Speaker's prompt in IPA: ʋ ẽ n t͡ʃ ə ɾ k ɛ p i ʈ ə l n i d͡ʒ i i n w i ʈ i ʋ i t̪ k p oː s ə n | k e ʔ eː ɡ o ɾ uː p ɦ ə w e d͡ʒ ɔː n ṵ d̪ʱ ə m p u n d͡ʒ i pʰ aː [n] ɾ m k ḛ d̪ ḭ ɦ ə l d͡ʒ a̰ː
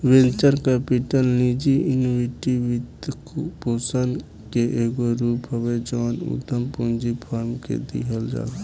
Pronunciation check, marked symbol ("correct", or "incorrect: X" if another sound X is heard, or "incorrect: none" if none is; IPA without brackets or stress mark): incorrect: none